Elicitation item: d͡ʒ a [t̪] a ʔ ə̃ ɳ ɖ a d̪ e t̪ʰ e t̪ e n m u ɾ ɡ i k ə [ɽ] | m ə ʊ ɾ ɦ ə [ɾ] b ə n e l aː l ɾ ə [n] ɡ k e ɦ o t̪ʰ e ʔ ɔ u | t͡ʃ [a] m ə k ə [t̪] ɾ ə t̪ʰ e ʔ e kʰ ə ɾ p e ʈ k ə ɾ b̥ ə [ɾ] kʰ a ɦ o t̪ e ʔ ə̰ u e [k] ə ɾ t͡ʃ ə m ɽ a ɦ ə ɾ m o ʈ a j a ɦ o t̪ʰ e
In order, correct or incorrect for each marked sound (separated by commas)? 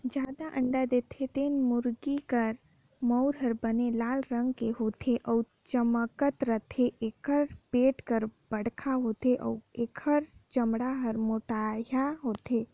incorrect, incorrect, correct, incorrect, incorrect, correct, incorrect, incorrect